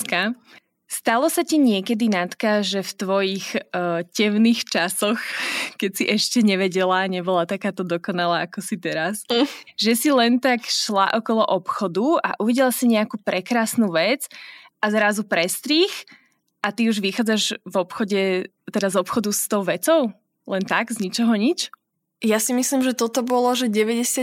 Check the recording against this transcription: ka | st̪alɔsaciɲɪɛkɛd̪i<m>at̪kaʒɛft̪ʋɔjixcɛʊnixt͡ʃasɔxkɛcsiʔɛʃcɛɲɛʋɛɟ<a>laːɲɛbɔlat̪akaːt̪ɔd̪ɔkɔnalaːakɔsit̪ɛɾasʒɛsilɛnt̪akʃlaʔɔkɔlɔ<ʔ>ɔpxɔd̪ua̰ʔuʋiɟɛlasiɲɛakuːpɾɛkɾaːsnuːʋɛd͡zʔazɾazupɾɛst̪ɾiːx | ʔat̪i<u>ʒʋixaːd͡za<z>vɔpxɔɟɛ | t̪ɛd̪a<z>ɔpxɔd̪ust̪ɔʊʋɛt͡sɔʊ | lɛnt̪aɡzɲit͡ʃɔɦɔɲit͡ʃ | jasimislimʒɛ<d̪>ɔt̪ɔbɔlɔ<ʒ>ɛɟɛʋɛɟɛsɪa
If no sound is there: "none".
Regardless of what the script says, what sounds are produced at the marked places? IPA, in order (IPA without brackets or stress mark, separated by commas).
n, ɛ, ʔ, u, ʒ, z, t̪, ʒ